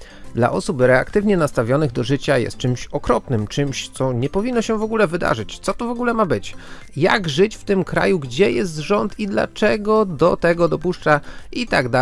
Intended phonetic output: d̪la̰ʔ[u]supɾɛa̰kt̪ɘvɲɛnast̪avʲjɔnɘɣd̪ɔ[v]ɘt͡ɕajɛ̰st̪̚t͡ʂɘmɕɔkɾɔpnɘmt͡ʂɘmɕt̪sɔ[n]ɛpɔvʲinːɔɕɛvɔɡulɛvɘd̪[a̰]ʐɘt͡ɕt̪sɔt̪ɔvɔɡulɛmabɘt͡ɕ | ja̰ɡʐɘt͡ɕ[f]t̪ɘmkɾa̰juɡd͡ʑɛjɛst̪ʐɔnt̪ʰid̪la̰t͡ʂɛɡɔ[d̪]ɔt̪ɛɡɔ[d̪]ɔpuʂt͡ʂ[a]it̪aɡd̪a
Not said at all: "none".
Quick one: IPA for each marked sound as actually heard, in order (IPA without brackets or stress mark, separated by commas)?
ɔ, ʐ, ɲ, a̰, f, d̪, d̪, a